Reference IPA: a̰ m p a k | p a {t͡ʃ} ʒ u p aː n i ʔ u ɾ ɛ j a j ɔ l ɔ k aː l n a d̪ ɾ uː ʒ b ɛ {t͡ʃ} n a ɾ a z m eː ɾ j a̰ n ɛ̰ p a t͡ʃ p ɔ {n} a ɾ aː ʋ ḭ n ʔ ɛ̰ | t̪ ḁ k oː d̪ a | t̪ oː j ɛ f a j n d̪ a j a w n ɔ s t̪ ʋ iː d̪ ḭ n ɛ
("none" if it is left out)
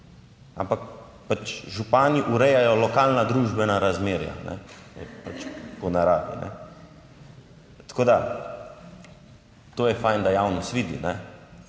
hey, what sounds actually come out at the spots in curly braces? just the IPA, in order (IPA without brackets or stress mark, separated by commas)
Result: t͡ʃ, none, n